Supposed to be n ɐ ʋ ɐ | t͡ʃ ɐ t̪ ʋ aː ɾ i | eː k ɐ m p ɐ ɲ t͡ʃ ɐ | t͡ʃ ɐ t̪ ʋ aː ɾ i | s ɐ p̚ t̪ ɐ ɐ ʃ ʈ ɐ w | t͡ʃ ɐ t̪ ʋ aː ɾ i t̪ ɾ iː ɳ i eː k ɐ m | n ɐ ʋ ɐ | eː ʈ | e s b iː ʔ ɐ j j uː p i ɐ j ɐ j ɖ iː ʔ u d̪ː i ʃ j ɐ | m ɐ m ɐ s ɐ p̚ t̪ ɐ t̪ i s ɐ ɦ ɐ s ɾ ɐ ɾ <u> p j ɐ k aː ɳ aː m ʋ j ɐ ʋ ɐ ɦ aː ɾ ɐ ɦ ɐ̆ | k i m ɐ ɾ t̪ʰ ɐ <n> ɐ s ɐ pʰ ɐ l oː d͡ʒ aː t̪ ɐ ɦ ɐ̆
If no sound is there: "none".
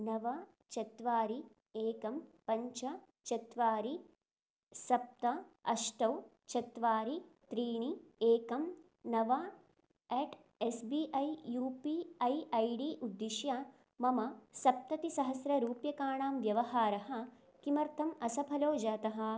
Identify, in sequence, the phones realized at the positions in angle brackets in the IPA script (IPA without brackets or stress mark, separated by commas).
uː, m